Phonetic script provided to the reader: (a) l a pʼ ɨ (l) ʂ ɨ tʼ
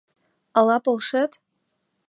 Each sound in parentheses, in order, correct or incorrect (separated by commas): correct, correct